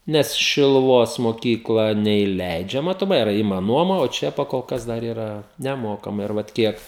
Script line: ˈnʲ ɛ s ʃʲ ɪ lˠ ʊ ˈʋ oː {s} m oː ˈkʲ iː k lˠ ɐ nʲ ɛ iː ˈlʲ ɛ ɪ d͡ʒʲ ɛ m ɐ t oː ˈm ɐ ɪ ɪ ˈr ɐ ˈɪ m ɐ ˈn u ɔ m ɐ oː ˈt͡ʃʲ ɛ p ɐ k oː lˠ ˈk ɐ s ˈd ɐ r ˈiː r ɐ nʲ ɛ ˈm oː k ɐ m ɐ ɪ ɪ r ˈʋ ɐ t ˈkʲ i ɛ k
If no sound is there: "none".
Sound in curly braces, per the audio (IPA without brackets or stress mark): s